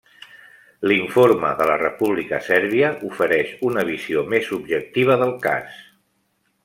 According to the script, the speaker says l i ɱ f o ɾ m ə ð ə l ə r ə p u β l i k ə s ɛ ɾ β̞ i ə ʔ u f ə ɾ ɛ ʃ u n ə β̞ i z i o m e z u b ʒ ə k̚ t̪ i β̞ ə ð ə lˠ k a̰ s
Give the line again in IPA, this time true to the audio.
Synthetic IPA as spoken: l i ɱ f o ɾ m ə ð ə l ə r ə p u β l i k ə s ɛ ɾ β̞ i ə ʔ u f ə ɾ ɛ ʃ u n ə β̞ i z i o m e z u b ʒ ə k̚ t̪ i β̞ ə ð ə lˠ k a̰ s